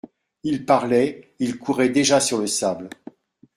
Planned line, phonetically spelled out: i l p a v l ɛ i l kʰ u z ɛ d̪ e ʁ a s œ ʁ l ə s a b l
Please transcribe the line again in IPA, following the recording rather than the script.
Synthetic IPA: i l p a ʁ l ɛ i l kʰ u ʁ ɛ d̪ e ʒ a s y ʁ l ə s a b l